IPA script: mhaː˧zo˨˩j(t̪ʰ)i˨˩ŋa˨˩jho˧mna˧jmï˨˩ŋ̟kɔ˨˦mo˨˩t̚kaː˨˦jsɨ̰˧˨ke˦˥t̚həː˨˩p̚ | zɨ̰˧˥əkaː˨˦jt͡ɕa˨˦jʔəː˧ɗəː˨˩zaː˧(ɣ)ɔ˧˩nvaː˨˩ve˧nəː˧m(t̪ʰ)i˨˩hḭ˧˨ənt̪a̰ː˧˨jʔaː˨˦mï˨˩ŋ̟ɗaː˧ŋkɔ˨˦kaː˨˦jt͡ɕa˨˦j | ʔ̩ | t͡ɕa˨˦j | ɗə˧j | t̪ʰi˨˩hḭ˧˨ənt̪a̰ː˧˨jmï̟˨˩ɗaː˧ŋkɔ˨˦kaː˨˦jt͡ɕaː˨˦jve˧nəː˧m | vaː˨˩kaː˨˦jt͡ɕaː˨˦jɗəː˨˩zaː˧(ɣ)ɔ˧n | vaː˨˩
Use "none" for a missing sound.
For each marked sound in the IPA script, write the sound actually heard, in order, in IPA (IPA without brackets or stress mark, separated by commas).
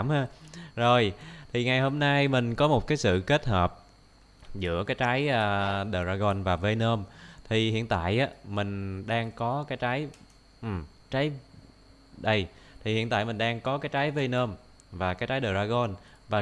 t̪ʰ, ɣ, t̪ʰ, ɣ